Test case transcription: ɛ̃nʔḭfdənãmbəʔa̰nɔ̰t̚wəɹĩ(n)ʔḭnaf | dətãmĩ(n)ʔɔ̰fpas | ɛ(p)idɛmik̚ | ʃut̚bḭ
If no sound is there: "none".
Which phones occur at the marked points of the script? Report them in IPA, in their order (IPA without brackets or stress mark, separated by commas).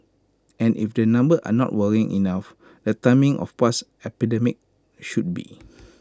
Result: ŋ, ŋ, p